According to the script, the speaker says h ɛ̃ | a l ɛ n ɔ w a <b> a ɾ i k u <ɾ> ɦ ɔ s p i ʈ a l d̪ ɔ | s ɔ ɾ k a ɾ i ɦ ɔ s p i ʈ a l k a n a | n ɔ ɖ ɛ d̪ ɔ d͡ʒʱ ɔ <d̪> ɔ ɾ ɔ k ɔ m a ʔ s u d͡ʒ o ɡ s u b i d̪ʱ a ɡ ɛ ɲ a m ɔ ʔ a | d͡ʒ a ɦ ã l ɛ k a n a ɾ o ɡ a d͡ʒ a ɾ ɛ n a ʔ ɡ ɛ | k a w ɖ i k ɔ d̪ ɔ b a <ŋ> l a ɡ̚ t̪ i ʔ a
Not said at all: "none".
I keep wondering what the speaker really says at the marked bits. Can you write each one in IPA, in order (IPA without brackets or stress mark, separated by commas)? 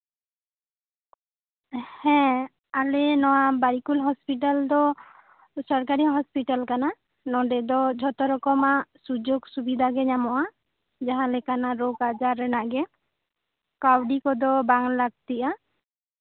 b, l, t̪, ŋ